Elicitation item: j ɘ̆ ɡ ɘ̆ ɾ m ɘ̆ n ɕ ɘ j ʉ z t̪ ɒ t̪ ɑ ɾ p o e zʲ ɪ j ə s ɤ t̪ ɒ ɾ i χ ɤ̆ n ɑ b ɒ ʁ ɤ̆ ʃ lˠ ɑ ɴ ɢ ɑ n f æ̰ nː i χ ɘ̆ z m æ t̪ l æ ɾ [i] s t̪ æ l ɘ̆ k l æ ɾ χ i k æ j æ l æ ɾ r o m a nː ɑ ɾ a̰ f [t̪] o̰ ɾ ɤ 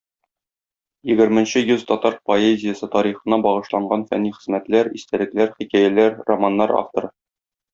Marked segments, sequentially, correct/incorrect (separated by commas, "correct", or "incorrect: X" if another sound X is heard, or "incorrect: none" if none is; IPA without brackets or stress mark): correct, correct